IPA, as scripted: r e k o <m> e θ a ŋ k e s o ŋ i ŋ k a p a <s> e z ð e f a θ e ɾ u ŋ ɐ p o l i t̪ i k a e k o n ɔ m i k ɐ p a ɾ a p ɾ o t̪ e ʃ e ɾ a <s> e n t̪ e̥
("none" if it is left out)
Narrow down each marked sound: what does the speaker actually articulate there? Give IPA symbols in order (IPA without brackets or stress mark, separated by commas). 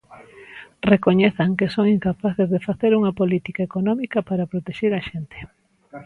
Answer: ɲ, θ, ʃ